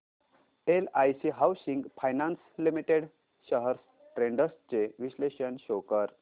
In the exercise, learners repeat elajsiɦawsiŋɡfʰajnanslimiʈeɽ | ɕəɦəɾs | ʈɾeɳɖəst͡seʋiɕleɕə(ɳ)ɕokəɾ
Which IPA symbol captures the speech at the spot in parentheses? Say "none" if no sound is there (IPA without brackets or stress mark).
n